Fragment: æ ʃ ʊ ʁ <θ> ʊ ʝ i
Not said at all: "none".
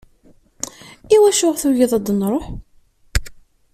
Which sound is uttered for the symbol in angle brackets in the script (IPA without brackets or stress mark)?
θ